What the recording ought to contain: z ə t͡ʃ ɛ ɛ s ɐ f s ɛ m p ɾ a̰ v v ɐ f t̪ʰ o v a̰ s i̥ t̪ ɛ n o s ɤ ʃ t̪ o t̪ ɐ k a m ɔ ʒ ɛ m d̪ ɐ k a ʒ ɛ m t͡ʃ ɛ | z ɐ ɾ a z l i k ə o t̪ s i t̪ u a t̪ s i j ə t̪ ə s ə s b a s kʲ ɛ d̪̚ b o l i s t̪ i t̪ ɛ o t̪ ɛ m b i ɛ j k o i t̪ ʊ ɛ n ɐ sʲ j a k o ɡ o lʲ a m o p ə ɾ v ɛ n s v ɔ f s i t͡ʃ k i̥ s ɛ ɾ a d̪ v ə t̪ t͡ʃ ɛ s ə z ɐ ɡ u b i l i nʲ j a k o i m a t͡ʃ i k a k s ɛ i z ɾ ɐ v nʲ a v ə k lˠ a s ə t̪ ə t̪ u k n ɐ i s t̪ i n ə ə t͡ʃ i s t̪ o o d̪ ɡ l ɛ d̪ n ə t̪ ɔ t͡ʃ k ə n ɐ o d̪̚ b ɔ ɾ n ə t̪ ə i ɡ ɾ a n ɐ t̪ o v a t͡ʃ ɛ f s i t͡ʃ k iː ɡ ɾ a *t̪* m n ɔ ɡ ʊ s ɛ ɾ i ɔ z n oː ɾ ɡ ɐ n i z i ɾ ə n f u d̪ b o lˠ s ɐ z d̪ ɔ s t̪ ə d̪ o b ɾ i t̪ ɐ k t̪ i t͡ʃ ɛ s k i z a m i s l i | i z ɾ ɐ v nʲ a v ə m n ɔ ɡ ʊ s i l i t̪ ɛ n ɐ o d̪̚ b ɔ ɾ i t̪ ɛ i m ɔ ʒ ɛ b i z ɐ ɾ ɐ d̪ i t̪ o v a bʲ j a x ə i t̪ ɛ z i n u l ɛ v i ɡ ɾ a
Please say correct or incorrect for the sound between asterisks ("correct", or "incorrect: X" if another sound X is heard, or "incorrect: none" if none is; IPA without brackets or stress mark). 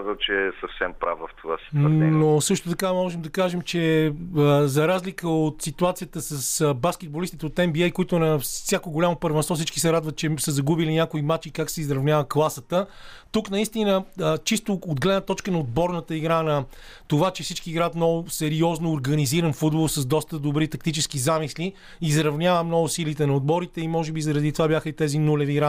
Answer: correct